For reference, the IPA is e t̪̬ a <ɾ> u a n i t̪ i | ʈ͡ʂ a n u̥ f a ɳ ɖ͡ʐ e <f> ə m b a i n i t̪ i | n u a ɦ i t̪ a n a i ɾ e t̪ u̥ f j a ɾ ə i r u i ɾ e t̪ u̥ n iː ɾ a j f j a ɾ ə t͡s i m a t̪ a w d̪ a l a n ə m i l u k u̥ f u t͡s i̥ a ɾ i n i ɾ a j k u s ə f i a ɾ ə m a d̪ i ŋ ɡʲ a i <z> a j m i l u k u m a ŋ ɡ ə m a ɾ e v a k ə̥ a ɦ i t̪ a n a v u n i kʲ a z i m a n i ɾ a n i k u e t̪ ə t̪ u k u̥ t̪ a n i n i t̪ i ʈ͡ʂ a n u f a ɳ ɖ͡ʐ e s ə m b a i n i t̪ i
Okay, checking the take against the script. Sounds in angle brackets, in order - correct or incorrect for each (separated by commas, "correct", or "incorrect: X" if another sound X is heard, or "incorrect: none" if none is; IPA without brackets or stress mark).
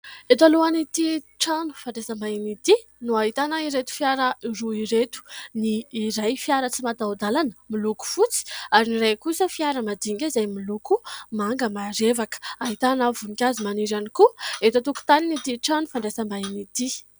incorrect: l, incorrect: s, correct